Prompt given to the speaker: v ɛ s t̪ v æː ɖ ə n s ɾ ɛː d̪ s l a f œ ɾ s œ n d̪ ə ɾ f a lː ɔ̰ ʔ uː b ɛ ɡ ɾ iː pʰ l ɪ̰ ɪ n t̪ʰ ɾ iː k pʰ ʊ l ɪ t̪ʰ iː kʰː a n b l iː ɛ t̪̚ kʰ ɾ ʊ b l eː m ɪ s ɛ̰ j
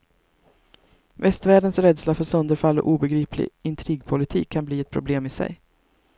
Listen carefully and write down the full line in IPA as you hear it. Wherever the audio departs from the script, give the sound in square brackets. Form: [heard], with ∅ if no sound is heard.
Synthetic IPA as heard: v ɛ s t̪ v æː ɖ ə n s ɾ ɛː d̪ s l a f œ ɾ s œ n d̪ ə ɾ f a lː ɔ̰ ʔ uː b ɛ ɡ ɾ iː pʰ l ɪ̰ ɪ n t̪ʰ ɾ iː [ɡ] pʰ ʊ l ɪ t̪ʰ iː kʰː a n b l iː ɛ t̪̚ [pʰ] ɾ ʊ b l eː m ɪ s ɛ̰ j